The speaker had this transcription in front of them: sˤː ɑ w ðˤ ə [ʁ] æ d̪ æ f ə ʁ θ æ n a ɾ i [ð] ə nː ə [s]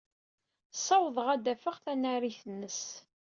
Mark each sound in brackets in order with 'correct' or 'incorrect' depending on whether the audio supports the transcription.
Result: correct, incorrect: θ, correct

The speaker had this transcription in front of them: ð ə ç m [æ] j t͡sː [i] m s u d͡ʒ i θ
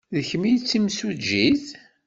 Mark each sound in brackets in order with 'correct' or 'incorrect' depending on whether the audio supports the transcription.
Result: incorrect: i, correct

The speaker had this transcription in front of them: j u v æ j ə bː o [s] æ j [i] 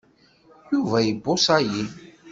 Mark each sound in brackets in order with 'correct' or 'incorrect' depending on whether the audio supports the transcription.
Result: correct, correct

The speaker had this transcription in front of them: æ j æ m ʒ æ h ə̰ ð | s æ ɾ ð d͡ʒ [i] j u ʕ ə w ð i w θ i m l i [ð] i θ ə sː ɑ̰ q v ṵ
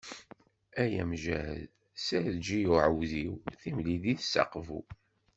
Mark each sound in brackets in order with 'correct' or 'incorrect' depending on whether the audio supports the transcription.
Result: correct, correct

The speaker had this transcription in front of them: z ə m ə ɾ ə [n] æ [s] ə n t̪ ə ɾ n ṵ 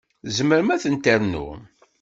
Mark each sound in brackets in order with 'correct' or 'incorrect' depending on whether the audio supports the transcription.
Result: incorrect: m, incorrect: θ

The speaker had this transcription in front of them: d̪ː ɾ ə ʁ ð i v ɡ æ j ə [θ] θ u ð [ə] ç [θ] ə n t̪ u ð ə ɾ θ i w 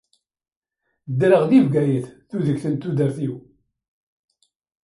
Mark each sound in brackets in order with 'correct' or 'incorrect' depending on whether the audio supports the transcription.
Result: correct, correct, correct

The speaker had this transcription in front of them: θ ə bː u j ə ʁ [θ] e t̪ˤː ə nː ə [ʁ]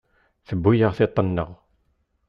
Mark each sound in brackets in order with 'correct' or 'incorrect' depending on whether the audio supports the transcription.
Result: correct, correct

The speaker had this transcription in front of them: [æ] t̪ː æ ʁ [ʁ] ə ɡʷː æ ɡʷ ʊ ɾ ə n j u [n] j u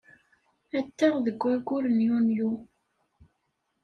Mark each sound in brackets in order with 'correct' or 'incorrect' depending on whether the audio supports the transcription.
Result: correct, incorrect: ð, correct

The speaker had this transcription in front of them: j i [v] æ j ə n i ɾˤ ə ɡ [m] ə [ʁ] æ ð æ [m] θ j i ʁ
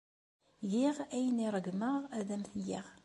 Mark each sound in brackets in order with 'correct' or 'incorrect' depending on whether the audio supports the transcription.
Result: incorrect: ʁ, correct, correct, correct

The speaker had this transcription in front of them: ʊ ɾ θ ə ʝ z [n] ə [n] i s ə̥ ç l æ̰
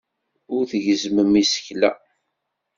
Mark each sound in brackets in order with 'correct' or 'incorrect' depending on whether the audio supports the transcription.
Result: incorrect: m, incorrect: m

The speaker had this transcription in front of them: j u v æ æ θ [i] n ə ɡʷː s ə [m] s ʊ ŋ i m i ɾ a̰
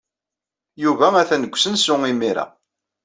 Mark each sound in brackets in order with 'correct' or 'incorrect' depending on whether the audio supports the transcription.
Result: incorrect: æ, incorrect: n

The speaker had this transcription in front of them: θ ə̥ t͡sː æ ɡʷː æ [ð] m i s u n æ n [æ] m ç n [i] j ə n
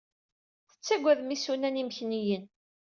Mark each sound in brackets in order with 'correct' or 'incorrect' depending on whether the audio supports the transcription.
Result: correct, incorrect: i, correct

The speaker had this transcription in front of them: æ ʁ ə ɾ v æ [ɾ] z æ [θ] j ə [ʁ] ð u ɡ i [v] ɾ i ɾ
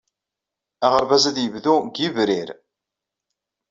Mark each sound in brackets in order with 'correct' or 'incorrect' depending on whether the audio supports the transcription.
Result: incorrect: none, incorrect: ð, incorrect: v, correct

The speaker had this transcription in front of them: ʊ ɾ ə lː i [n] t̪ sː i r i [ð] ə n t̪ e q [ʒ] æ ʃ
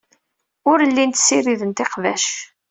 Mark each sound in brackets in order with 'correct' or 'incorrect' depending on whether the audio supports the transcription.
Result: correct, correct, incorrect: v

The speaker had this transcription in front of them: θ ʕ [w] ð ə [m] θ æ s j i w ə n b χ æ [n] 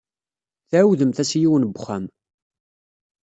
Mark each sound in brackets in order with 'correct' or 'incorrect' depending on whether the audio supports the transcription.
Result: correct, correct, incorrect: m

